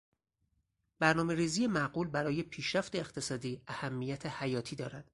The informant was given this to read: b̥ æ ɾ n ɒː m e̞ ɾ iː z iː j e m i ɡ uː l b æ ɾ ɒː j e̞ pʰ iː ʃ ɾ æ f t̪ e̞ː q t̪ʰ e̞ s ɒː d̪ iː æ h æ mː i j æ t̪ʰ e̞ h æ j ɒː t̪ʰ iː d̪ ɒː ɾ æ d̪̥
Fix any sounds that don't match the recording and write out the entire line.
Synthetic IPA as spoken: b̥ æ ɾ n ɒː m e̞ ɾ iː z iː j e m æ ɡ uː l b æ ɾ ɒː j e̞ pʰ iː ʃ ɾ æ f t̪ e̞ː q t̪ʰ e̞ s ɒː d̪ iː æ h æ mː i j æ t̪ʰ e̞ h æ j ɒː t̪ʰ iː d̪ ɒː ɾ æ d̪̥

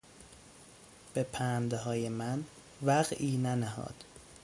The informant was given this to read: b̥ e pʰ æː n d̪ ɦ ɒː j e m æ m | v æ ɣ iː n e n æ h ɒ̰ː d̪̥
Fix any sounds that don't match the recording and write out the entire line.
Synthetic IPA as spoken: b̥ e pʰ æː n d̪ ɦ ɒː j e m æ n | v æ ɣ iː n æ n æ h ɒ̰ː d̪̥

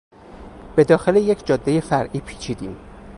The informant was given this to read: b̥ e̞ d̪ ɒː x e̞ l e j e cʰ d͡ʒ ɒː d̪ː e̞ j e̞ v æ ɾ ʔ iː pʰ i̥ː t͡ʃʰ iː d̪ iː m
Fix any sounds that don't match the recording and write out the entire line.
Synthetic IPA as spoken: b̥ e̞ d̪ ɒː x e̞ l e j e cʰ d͡ʒ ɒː d̪ː e̞ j e̞ f æ ɾ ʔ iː pʰ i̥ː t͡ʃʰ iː d̪ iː m

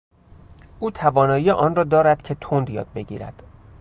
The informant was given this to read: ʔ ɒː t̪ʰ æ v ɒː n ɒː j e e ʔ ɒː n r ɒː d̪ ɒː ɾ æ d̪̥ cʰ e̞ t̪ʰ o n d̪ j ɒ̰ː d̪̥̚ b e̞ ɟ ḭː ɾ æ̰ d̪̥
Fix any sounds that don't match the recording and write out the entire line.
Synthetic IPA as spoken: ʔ uː t̪ʰ æ v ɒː n ɒː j i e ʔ ɒː n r ɒː d̪ ɒː ɾ æ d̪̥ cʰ e̞ t̪ʰ o n d̪ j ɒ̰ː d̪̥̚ b e̞ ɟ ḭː ɾ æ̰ d̪̥

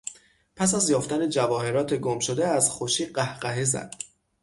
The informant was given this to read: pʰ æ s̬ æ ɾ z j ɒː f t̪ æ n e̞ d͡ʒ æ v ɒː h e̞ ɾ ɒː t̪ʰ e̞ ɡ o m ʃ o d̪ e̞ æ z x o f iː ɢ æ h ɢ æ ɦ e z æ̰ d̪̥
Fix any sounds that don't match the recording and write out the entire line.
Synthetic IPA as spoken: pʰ æ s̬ æ z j ɒː f t̪ æ n e̞ d͡ʒ æ v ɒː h e̞ ɾ ɒː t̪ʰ e̞ ɡ o m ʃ o d̪ e̞ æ z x o ʃ iː ɢ æ h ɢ æ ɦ e z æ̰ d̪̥

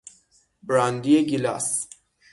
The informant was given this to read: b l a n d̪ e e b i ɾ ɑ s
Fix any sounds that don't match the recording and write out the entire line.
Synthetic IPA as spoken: b ɾ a n d̪ i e ɡ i l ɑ s

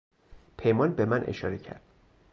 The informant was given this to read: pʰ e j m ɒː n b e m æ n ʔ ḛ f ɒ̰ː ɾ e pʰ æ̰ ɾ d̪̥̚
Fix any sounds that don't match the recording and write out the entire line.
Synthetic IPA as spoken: pʰ e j m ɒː n b e m æ n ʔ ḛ ʃ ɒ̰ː ɾ e cʰ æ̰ ɾ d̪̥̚

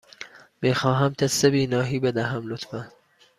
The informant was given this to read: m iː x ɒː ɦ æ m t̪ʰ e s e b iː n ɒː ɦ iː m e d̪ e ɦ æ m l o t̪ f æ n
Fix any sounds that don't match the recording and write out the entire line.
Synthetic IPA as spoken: m iː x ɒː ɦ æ m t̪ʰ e s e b iː n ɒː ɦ iː b e d̪ æ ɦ æ m l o t̪ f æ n

